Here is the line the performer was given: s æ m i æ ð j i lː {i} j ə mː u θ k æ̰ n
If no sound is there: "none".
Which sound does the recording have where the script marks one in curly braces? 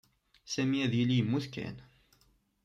i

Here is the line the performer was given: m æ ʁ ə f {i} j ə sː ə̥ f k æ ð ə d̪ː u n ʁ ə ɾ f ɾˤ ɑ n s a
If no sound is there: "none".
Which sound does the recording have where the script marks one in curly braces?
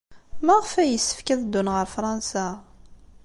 æ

